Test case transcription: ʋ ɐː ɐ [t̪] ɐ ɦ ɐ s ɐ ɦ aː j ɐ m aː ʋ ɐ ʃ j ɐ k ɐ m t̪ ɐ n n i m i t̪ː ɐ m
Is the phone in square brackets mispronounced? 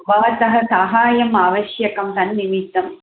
no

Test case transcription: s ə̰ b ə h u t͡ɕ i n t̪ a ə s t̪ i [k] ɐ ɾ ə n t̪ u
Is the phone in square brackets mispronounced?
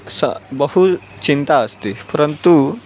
yes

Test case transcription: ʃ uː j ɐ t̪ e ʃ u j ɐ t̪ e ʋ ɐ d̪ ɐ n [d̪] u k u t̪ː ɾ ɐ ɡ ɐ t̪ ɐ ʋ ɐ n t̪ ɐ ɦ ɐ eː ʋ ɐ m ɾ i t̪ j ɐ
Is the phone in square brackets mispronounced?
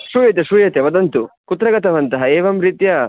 yes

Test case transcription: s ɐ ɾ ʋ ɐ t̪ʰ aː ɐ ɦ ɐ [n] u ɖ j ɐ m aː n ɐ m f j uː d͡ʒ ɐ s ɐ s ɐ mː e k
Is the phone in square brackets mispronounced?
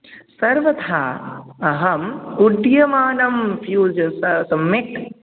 yes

